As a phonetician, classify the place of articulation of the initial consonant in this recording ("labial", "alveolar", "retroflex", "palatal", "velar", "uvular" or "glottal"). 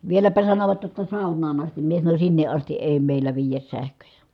labial